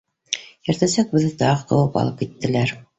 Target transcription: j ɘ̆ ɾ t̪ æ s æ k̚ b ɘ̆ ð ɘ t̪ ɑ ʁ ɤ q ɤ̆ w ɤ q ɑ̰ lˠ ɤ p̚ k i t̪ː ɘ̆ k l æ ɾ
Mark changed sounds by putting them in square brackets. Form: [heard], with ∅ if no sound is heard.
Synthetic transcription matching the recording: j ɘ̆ ɾ t̪ æ s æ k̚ b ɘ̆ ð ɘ t̪ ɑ ʁ ɤ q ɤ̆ w ɤ [p] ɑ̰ lˠ ɤ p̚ k i t̪ː ɘ̆ [∅] l æ ɾ